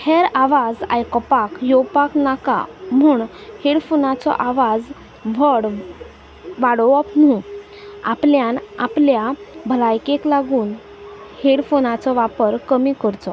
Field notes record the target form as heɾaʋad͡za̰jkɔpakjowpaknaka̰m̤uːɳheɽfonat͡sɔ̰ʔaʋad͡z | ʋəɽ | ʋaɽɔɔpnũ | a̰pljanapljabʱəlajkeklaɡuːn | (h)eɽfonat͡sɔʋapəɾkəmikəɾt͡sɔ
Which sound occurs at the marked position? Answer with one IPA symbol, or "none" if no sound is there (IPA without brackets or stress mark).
h